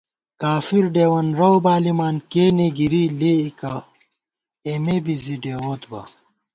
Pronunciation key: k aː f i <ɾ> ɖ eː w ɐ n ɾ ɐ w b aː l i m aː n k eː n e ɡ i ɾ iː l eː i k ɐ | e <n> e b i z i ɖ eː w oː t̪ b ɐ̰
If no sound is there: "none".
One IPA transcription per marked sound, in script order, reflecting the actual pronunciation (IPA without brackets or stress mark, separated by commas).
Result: ɾ, m